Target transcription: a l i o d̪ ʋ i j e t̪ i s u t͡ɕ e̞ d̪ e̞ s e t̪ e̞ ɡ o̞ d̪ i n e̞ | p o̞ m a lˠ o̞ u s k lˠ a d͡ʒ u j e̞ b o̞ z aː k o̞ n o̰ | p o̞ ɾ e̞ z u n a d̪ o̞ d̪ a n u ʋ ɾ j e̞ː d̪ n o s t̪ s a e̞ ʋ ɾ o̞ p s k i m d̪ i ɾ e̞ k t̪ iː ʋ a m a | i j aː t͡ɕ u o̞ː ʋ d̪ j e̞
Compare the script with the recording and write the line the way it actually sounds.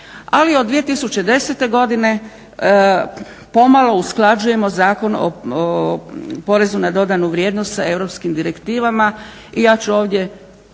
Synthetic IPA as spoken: a l i o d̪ ʋ i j e t̪ i s u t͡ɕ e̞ d̪ e̞ s e t̪ e̞ ɡ o̞ d̪ i n e̞ | p o̞ m a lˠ o̞ u s k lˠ a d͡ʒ u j e̞ m o̞ z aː k o̞ n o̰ | p o̞ ɾ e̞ z u n a d̪ o̞ d̪ a n u ʋ ɾ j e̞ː d̪ n o s t̪ s a e̞ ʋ ɾ o̞ p s k i m d̪ i ɾ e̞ k t̪ iː ʋ a m a | i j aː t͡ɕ u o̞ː ʋ d̪ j e̞